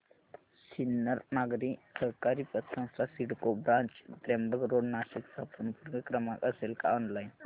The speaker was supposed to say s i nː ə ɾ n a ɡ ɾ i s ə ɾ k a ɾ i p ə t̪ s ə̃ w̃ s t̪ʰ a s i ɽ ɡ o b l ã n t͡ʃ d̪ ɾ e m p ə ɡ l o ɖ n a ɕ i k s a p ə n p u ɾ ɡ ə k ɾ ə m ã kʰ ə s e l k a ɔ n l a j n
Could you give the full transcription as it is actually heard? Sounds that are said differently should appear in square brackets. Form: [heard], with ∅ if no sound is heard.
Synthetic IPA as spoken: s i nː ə ɾ n a ɡ ɾ i s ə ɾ k a ɾ i p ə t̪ s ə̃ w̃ s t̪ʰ a s i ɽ [k] o b [ɾ] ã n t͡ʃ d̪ ɾ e m [b] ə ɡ [ɾ] o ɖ n a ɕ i k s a p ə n p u ɾ ɡ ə k ɾ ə m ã [k] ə s e l k a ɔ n l a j n